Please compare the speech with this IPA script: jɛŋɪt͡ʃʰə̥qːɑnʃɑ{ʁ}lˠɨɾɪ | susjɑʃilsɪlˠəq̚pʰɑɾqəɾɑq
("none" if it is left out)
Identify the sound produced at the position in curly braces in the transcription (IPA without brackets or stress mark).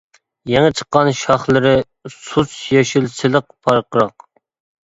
χ